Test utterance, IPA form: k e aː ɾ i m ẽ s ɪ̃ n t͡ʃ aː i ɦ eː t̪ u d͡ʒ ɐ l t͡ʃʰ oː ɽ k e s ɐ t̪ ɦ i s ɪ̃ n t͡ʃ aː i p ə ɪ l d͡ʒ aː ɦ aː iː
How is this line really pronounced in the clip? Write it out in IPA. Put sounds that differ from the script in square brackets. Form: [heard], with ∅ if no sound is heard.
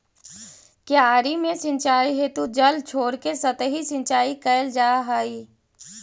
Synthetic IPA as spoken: k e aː ɾ i m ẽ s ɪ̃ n t͡ʃ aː i ɦ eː t̪ u d͡ʒ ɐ l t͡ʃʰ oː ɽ k e s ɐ t̪ ɦ i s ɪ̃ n t͡ʃ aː i [k] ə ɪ l d͡ʒ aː ɦ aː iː